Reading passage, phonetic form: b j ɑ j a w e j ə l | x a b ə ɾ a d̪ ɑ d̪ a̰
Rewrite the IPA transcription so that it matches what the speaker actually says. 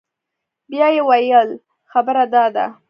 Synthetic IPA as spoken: b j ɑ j e w a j ə l | x a b ə ɾ a d̪ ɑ d̪ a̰

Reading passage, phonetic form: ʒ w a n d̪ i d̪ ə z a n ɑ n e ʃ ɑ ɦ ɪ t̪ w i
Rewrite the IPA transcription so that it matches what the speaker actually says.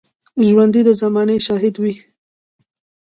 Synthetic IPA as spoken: ʒ w a n d̪ i d̪ ə z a m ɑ n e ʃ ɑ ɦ ɪ d̪ w i

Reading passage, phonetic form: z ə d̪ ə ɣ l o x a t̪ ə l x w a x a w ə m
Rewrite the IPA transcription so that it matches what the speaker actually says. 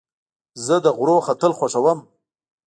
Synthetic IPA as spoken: z ə d̪ ə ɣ ɾ o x a t̪ ə l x w a ʂ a w ə m

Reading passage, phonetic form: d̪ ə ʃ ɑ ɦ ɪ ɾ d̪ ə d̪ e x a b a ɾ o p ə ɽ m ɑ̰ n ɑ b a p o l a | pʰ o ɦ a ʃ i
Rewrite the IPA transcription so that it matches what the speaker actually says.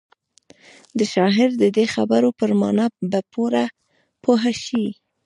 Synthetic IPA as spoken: d̪ ə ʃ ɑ ɦ ɪ ɾ d̪ ə d̪ e x a b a ɾ o p ə ɾ m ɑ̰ n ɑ b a p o ɾ a | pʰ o ɦ a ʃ i

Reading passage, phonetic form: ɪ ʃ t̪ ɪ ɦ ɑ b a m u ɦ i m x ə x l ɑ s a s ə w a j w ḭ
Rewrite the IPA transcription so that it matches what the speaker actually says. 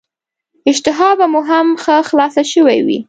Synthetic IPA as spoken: ɪ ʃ t̪ ɪ ɦ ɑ b a m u ɦ a m x ə x l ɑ s a ʃ ə w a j w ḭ

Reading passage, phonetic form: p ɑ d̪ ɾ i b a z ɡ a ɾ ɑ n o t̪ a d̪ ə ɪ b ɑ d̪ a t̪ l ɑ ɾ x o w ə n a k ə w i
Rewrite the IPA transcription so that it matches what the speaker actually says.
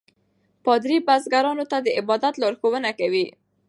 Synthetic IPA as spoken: p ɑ d̪ ɾ i b a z ɡ a ɾ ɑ n o t̪ a d̪ ə ɪ b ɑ d̪ a t̪ l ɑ ɾ x o w ə n a k a w i

